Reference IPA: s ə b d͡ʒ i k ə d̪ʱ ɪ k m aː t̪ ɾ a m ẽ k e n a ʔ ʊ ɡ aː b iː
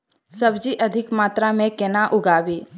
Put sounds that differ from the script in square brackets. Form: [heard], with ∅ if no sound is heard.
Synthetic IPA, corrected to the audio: s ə b d͡ʒ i [ʔ] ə d̪ʱ ɪ k m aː t̪ ɾ a m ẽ k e n a ʔ ʊ ɡ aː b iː